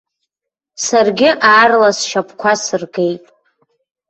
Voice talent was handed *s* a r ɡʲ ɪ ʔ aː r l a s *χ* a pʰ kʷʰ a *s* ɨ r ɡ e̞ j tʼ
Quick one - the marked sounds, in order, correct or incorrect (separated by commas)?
correct, incorrect, correct